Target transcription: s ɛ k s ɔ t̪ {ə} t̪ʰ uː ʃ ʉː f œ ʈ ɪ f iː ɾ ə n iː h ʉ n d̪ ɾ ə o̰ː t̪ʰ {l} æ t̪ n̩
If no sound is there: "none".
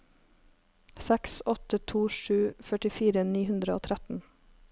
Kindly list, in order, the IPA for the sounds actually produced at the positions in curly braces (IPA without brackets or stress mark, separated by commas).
ə, ɾ